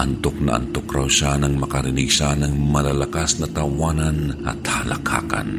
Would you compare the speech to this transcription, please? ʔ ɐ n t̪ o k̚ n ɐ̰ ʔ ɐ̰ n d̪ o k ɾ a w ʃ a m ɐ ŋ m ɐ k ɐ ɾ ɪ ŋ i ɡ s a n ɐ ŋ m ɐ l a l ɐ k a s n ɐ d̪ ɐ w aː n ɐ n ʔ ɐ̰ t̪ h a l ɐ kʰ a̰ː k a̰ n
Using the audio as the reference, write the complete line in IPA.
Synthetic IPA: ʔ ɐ n t̪ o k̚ n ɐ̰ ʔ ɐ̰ n t̪ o k ɾ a w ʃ a n ɐ ŋ m ɐ k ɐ ɾ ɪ n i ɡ s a n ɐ ŋ m ɐ l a l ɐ k a s n ɐ t̪ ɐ w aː n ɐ n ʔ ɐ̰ t̪ h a l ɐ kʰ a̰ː k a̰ n